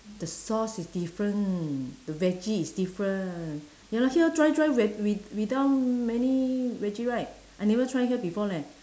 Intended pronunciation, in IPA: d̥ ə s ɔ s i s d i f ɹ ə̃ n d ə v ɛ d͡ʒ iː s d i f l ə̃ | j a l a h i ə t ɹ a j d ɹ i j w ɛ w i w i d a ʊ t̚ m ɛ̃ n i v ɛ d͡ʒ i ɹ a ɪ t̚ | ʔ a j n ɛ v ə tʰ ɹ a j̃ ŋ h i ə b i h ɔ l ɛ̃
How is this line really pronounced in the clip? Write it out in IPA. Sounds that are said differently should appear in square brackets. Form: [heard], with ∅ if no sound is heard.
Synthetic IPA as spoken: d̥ ə s ɔ s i s d i f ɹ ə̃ n d ə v ɛ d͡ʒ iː s d i f [ɹ] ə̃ | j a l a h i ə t ɹ a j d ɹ [a] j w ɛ w i w i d a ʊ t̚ m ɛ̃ n i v ɛ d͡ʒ i ɹ a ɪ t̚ | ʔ a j n ɛ v ə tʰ ɹ a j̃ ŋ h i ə b i [f] ɔ l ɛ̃